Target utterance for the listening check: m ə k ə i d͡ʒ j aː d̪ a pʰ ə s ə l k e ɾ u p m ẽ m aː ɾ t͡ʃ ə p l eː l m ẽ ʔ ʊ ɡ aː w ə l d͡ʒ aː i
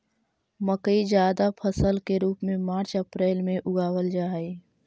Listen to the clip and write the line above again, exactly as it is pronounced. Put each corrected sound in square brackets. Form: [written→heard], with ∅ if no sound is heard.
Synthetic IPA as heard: m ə k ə i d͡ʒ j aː d̪ a pʰ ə s ə l k e ɾ [u→uː] p m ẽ m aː ɾ t͡ʃ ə p [l→ɾ] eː l m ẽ ʔ ʊ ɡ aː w ə l d͡ʒ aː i